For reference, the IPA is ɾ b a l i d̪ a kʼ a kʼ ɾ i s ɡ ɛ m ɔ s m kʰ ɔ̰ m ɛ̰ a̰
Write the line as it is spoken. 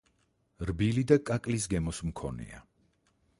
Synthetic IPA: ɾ b i l i d̪ a kʼ a kʼ l i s ɡ ɛ m ɔ s m kʰ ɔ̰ n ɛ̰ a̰